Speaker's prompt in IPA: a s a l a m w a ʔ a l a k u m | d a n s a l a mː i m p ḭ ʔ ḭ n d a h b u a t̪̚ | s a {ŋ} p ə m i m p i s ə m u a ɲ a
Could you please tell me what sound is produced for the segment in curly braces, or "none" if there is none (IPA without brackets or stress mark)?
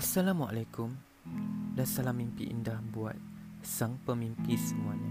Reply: ŋ